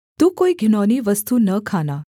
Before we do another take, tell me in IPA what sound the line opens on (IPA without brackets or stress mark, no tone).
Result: t̪